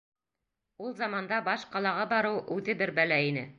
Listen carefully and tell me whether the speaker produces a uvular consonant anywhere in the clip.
yes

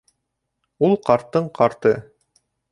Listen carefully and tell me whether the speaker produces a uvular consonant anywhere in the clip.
yes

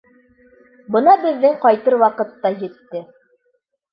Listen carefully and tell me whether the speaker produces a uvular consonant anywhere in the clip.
yes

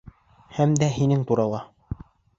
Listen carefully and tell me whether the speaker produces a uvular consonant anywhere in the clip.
no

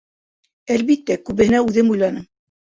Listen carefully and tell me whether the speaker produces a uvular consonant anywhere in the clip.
no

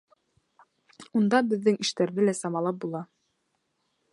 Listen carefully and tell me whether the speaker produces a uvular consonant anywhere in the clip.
no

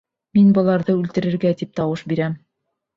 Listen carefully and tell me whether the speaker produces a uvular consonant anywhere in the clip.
no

